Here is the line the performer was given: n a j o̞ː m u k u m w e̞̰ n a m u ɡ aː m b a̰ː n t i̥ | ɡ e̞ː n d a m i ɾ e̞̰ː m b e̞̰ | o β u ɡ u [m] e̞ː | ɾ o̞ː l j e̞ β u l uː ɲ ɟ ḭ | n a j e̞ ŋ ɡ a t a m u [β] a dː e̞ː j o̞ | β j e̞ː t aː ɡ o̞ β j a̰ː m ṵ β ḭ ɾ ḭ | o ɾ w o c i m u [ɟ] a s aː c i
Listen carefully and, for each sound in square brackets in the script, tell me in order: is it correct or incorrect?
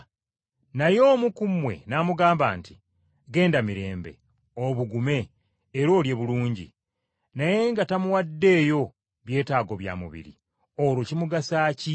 correct, incorrect, incorrect

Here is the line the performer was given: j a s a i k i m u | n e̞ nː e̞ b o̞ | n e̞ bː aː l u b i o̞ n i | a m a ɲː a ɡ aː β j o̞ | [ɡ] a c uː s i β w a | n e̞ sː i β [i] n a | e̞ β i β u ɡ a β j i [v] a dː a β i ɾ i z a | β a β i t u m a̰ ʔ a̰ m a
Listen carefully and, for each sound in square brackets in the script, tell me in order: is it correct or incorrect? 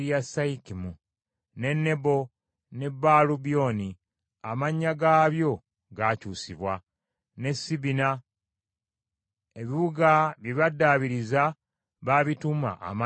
correct, correct, incorrect

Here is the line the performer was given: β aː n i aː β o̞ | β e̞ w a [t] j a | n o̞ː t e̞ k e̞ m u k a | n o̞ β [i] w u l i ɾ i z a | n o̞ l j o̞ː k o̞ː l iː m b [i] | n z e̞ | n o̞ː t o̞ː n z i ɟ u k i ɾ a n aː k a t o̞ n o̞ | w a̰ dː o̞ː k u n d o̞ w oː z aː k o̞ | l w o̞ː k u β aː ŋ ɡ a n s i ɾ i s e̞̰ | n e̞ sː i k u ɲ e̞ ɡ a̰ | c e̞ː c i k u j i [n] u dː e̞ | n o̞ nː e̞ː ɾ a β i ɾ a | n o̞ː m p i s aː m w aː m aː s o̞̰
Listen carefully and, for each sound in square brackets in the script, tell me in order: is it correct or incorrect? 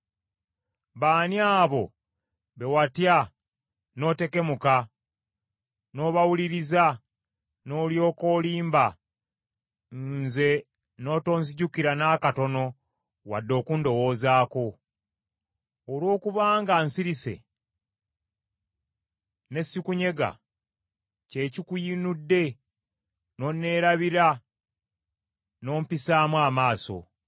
correct, incorrect, incorrect, correct

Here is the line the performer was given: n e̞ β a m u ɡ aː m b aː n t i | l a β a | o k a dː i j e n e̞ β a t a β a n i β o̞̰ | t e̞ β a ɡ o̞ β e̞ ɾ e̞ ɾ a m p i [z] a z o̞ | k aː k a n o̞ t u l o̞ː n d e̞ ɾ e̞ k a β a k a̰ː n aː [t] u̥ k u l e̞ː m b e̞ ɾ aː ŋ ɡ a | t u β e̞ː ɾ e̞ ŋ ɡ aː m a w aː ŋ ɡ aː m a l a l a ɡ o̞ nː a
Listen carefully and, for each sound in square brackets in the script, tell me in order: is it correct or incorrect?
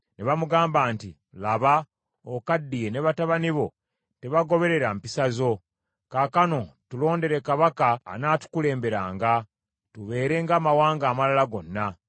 incorrect, correct

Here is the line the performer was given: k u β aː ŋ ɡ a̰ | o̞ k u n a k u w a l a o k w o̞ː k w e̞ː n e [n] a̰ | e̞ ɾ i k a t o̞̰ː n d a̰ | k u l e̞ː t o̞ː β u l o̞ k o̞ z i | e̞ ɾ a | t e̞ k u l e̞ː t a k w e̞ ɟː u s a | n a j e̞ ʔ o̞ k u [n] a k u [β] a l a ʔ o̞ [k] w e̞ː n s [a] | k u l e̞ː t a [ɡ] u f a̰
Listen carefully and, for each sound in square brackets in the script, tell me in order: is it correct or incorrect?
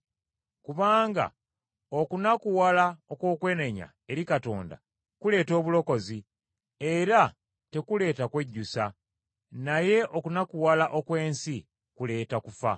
incorrect, correct, incorrect, correct, incorrect, incorrect

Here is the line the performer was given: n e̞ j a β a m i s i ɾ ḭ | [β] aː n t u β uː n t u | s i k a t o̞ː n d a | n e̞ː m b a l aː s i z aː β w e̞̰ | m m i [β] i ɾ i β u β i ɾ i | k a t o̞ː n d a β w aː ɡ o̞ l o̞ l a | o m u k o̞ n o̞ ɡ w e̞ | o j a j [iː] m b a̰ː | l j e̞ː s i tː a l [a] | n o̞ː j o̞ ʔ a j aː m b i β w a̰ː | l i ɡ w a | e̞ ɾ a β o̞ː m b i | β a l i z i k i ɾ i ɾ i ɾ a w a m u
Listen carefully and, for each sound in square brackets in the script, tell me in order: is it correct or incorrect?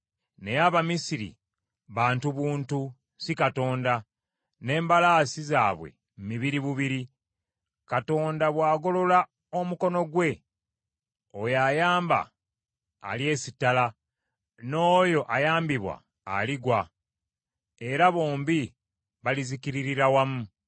correct, correct, incorrect, correct

